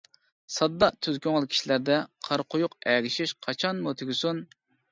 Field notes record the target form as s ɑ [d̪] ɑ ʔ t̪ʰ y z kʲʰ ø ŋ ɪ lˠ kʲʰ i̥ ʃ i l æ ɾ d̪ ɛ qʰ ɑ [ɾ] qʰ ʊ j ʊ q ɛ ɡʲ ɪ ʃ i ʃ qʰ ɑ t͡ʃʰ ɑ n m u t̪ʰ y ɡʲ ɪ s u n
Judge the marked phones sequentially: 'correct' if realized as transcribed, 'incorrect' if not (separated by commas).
incorrect, correct